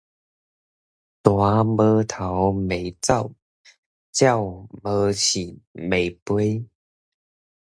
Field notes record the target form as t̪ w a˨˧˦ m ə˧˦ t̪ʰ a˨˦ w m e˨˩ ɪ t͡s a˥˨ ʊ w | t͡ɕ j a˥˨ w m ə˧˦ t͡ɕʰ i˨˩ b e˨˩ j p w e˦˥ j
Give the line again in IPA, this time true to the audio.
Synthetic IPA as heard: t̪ w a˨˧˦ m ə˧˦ t̪ʰ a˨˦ w m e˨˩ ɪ t͡s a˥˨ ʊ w | t͡ɕ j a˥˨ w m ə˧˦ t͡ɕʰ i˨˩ m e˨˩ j p w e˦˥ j